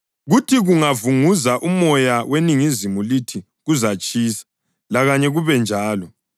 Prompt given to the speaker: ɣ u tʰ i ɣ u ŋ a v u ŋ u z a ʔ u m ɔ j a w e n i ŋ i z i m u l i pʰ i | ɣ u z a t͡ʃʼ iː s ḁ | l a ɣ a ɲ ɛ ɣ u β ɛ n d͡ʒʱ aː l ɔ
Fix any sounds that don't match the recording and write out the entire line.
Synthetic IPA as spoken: ɣ u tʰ i ɣ u ŋ a v u ŋ u z a ʔ u m ɔ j a w e n i ŋ i z i m u l i tʰ i | ɣ u z a t͡ʃʼ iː s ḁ | l a ɣ a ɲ ɛ ɣ u β ɛ n d͡ʒʱ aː l ɔ